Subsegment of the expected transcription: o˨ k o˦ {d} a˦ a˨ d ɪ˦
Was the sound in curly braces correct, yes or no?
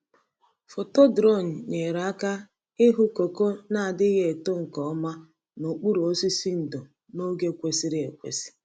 no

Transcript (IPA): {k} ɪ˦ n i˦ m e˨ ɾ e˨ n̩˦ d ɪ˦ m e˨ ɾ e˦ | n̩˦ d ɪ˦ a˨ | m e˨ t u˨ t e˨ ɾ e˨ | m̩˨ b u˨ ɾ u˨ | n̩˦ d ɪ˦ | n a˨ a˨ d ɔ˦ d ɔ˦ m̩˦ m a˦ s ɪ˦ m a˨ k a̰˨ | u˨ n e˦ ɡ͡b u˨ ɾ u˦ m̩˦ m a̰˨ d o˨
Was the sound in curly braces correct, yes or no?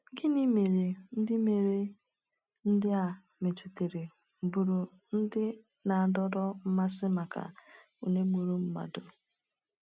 no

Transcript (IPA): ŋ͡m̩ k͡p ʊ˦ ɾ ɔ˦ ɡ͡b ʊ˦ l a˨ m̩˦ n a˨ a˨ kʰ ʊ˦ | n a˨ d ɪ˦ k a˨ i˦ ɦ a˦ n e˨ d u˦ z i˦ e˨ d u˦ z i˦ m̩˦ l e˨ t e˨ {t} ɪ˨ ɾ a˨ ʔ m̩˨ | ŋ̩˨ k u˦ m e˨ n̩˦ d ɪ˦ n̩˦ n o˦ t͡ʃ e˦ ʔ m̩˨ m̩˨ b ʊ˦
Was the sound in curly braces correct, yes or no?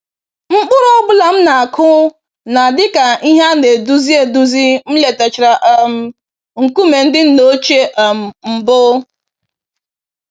no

